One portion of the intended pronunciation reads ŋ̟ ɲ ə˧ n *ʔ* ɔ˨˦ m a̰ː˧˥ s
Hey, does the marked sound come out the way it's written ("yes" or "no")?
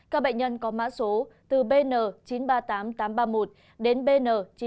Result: no